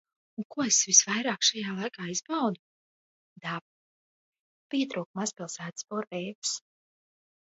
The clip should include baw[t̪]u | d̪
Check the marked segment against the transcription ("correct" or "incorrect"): incorrect